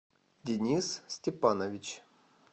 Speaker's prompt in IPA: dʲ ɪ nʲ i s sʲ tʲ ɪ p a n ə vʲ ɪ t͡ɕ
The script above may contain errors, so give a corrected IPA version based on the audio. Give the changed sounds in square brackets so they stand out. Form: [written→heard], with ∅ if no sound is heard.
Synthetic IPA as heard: dʲ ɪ nʲ i s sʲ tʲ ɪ p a n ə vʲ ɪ t͡ɕ